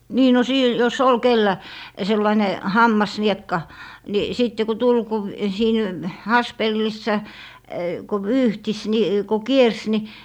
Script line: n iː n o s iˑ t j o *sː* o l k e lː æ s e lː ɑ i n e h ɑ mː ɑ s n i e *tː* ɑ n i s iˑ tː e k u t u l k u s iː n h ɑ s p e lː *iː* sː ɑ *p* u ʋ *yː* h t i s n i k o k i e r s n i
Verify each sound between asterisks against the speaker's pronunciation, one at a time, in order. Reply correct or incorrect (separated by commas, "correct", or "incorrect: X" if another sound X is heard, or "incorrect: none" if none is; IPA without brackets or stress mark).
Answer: incorrect: s, incorrect: kː, incorrect: i, incorrect: k, correct